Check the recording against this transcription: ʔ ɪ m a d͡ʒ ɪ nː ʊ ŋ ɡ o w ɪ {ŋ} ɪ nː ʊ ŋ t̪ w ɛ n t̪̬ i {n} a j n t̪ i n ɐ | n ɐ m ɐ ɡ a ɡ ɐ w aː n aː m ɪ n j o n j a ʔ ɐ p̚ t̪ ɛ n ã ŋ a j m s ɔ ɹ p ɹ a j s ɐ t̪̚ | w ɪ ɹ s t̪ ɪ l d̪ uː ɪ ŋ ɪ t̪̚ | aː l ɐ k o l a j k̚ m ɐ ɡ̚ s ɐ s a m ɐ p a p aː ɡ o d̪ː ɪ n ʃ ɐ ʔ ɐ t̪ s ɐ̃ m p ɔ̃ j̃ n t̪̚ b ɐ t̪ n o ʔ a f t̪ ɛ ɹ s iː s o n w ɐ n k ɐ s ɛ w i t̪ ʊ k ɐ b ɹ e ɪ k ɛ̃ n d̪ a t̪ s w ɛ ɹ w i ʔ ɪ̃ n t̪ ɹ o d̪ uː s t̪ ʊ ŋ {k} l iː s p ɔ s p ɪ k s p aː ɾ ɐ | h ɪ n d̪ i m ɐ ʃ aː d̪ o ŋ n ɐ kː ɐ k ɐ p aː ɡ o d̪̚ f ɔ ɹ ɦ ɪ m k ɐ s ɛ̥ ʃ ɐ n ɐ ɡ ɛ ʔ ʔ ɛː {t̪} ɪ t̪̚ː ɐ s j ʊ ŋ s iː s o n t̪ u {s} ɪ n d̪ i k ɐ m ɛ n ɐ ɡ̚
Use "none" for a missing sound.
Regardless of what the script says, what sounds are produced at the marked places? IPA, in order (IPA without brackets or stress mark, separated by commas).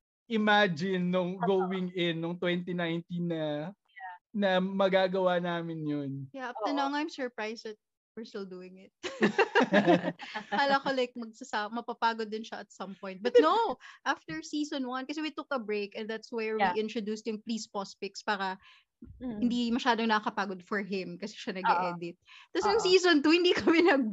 ŋ, n, p, d̪, h